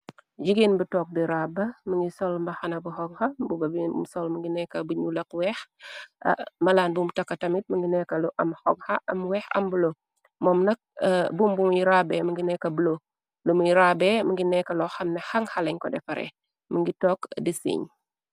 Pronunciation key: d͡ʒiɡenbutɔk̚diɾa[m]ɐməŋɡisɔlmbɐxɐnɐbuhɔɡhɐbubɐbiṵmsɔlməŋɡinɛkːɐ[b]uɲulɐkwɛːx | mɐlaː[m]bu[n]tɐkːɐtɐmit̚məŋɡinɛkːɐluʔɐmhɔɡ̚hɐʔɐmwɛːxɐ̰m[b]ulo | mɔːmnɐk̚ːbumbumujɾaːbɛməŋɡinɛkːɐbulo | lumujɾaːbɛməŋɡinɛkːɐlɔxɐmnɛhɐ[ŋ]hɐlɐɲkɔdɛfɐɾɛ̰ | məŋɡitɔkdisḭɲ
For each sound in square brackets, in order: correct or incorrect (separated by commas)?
incorrect, correct, incorrect, incorrect, correct, correct